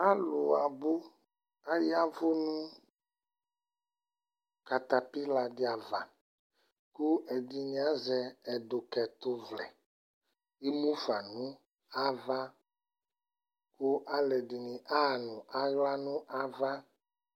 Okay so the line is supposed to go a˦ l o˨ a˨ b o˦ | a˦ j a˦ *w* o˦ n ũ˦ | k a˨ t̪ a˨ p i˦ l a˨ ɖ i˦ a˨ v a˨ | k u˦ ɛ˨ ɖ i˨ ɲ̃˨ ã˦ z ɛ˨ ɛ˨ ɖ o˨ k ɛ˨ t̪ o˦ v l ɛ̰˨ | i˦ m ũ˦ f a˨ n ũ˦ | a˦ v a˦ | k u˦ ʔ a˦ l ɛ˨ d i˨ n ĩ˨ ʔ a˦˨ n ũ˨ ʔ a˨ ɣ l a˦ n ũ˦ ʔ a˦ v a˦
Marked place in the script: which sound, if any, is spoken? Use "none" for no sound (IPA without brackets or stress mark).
v